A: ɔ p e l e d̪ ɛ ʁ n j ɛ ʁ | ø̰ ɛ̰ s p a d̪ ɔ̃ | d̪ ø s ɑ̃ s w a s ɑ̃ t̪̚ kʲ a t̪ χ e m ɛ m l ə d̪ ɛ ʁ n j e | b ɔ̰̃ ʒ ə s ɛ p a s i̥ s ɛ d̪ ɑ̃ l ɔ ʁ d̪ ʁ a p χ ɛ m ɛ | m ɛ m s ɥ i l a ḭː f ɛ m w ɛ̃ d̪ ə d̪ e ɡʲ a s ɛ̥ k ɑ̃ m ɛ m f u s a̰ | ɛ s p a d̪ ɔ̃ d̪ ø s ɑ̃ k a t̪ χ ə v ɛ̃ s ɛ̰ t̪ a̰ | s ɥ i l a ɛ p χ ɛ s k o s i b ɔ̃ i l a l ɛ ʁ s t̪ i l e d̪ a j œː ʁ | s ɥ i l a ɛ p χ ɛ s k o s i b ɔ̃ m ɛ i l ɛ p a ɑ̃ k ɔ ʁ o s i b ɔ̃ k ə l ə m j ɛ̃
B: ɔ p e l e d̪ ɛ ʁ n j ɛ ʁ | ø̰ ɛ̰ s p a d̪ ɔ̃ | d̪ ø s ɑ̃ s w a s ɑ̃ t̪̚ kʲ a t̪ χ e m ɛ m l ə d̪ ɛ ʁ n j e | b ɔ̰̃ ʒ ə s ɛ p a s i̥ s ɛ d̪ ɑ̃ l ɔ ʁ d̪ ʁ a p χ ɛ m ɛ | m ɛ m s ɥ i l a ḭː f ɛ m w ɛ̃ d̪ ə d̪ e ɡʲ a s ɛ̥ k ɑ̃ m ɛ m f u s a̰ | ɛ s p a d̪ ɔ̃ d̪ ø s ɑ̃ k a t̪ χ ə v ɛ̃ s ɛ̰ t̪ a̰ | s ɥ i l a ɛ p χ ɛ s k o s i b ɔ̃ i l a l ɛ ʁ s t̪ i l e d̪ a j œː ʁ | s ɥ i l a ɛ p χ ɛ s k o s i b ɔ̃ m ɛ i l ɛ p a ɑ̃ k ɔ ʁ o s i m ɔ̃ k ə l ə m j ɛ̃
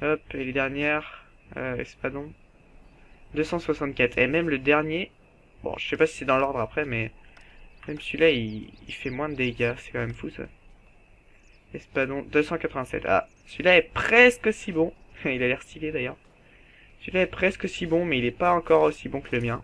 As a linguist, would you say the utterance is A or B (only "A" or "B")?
A